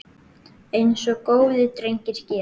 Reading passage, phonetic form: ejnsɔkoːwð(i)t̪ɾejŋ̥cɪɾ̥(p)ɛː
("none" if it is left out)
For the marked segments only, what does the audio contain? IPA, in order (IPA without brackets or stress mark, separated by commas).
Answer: ɪ, c